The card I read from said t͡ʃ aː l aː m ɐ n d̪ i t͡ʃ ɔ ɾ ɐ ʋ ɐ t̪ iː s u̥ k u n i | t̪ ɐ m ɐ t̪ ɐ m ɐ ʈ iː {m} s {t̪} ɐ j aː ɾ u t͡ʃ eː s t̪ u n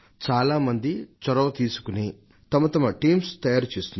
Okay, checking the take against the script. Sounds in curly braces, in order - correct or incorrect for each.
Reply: correct, correct

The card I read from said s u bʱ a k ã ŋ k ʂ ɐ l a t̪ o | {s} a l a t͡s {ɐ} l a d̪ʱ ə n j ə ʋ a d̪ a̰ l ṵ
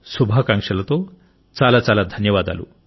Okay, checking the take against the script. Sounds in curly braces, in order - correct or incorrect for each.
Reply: incorrect: t͡s, incorrect: a

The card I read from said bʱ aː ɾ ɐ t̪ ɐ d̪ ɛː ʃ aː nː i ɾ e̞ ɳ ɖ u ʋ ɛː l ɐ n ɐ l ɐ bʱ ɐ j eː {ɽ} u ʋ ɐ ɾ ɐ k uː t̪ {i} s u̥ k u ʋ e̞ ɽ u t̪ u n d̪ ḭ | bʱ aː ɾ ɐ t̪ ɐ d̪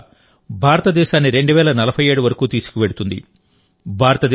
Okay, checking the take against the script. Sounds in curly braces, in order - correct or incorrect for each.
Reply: correct, incorrect: iː

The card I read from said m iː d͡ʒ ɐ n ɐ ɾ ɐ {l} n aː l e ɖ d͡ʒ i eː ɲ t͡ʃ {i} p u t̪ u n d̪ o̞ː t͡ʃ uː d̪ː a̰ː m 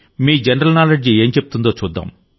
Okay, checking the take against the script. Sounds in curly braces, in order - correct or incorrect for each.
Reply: correct, incorrect: e

